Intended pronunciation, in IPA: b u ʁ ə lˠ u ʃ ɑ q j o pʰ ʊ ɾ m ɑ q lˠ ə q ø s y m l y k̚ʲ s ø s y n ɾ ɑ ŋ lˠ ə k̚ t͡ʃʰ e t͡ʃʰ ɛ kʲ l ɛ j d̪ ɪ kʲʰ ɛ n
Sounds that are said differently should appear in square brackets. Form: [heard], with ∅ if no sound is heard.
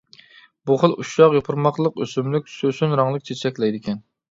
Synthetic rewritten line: b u [χ] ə lˠ u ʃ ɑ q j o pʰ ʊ ɾ m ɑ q lˠ ə q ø s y m l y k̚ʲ s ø s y n ɾ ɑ ŋ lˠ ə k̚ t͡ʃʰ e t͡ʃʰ ɛ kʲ l ɛ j d̪ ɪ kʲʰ ɛ n